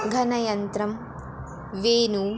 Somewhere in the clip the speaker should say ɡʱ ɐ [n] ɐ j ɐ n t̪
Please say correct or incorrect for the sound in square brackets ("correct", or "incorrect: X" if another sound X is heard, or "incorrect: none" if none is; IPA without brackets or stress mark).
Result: correct